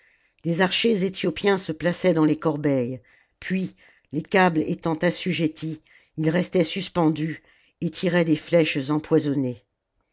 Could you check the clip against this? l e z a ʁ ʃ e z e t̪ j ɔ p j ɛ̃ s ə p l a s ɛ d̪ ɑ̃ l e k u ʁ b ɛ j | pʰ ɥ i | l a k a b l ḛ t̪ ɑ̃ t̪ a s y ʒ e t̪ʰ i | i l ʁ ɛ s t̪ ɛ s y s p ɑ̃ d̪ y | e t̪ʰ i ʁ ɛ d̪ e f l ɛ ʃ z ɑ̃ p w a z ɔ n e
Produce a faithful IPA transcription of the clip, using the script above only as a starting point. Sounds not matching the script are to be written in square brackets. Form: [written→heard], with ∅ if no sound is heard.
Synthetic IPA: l e z a ʁ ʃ e z e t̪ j ɔ p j ɛ̃ s ə p l a s ɛ d̪ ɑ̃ l e k [u→ɔ] ʁ b ɛ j | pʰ ɥ i | l [a→e] k a b l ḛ t̪ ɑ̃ t̪ a s y ʒ e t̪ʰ i | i l ʁ ɛ s t̪ ɛ s y s p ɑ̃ d̪ y | e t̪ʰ i ʁ ɛ d̪ e f l ɛ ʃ z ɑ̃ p w a z ɔ n e